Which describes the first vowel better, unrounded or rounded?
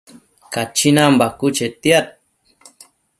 unrounded